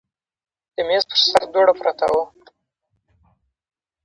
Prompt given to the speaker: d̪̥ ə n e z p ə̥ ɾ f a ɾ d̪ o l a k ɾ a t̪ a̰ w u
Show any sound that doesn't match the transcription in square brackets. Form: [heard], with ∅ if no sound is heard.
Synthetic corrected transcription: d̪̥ ə [m] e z p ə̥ ɾ [s] a ɾ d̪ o [ɽ] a [p] ɾ a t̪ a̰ w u